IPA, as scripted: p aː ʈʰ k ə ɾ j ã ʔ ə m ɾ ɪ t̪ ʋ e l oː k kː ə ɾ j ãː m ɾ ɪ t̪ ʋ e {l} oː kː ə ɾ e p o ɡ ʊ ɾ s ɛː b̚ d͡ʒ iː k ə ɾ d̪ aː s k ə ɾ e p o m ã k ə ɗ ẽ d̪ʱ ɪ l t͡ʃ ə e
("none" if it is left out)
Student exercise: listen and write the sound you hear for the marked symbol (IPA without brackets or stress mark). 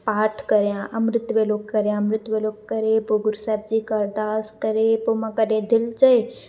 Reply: l